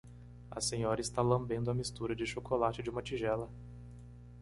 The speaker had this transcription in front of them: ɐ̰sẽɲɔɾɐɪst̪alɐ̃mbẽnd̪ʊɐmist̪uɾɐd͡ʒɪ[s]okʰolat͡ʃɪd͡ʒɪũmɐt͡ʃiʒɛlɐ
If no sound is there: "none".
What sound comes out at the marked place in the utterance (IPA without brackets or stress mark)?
ʃ